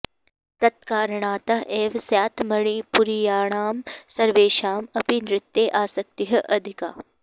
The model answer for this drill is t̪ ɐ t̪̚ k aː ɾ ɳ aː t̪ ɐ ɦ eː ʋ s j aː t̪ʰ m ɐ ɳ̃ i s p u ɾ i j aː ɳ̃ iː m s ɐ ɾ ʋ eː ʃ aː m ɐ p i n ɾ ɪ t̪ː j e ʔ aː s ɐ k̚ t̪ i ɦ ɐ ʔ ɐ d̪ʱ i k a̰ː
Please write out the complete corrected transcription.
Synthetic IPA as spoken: t̪ ɐ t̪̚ k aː ɾ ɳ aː t̪ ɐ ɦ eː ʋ s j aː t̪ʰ m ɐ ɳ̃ i p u ɾ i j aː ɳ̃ aː m s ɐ ɾ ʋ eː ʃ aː m ɐ p i n ɾ ɪ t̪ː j e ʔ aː s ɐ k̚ t̪ i ɦ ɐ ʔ ɐ d̪ʱ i k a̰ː